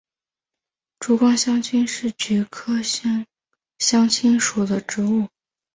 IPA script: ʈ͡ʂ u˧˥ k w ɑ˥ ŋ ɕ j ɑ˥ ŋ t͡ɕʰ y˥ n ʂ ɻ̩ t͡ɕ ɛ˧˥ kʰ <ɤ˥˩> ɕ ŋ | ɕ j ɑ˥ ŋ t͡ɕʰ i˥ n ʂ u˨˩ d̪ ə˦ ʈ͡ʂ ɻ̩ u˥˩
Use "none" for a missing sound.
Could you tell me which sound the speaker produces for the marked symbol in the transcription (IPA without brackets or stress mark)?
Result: ɤ˥